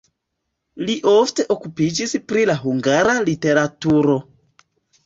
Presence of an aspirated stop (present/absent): absent